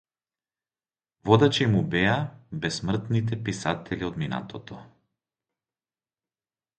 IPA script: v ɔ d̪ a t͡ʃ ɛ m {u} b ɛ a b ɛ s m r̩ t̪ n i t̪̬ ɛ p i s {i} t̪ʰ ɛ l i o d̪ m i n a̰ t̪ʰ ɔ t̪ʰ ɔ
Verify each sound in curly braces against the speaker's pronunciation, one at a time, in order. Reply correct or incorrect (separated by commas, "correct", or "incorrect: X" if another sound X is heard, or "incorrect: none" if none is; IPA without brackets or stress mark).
correct, incorrect: a